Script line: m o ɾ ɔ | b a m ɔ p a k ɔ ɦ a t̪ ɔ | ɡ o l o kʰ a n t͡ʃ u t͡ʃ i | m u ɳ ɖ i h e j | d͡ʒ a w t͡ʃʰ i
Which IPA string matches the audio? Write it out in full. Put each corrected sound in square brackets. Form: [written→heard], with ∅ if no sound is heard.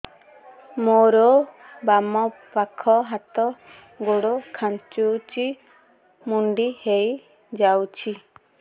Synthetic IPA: m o ɾ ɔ | b a m ɔ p a [k→kʰ] ɔ ɦ a t̪ ɔ | ɡ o [l→ɽ] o kʰ a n t͡ʃ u t͡ʃ i | m u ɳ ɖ i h e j | d͡ʒ a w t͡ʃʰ i